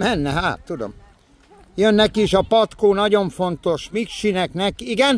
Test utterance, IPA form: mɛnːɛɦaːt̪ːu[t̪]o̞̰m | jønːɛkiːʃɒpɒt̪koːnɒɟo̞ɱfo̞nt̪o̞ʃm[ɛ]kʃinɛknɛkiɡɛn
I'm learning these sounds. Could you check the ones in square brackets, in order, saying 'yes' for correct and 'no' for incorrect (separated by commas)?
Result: no, no